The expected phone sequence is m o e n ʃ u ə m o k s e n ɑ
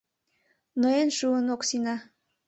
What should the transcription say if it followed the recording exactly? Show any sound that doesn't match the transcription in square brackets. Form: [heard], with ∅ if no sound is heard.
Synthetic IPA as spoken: [n] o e n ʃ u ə [n] o k s [i] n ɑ